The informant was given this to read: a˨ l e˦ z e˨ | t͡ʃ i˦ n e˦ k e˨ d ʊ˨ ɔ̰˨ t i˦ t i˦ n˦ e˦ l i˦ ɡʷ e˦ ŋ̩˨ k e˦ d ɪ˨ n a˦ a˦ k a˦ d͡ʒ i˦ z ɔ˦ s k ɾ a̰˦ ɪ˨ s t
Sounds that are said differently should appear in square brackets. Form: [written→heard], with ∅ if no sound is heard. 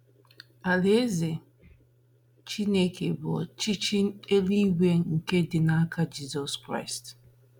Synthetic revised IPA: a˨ l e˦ z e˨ | t͡ʃ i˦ n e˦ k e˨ [d→b] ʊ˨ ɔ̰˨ [t→t͡ʃ] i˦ [t→t͡ʃ] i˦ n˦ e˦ l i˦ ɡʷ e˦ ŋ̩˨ k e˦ d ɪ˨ n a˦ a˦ k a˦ d͡ʒ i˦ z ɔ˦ s k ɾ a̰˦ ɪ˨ s t